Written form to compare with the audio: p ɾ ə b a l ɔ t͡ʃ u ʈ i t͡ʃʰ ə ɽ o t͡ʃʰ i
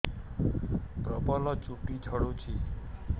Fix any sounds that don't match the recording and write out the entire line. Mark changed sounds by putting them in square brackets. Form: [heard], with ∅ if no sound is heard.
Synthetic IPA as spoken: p ɾ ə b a l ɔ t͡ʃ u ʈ i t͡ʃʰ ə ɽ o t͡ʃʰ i